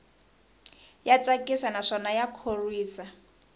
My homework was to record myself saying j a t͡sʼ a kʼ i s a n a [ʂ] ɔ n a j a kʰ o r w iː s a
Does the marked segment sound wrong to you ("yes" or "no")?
no